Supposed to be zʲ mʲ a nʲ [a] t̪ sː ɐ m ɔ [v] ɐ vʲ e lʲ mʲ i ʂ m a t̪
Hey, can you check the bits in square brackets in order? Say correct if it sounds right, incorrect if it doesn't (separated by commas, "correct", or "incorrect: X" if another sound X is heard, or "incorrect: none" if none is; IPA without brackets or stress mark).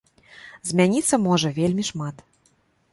incorrect: i, incorrect: ʐ